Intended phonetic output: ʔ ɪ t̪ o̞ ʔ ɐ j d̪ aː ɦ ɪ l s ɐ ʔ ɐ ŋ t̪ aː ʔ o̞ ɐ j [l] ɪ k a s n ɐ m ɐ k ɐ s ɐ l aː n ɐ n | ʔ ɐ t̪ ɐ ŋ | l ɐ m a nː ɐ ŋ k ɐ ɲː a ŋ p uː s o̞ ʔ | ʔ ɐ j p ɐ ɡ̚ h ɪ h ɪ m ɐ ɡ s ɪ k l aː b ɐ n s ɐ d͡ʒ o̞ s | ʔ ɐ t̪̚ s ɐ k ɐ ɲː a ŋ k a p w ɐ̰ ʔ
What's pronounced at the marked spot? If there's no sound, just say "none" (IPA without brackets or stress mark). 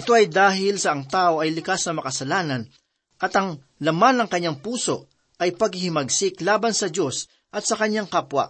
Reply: l